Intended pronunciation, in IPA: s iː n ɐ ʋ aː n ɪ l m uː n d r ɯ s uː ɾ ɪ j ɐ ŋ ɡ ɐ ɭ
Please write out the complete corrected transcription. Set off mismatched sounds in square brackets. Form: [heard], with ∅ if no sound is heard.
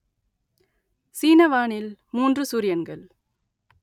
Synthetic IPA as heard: s iː n ɐ ʋ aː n ɪ l m uː n d r ɯ s uː ɾ ɪ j ɐ [n] ɡ ɐ ɭ